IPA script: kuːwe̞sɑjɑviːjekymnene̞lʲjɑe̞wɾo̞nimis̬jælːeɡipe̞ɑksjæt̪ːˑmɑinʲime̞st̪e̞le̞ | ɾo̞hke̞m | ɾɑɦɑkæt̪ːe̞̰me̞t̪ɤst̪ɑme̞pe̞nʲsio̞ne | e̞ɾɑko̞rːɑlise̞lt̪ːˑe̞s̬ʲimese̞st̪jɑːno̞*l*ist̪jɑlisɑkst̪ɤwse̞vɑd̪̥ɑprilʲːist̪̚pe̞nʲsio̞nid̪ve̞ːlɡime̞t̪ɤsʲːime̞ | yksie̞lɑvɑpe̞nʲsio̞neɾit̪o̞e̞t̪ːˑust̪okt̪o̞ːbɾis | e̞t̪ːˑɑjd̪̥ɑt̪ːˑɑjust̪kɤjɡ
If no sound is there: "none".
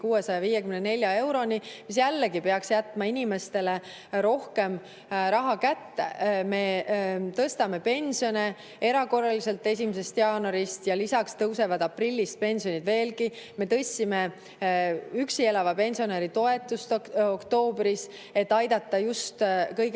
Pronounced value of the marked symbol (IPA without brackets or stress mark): ɾ